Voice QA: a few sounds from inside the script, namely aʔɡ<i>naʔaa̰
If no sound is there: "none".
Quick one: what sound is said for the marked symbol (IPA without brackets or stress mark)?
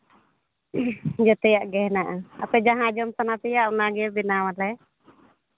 ɛ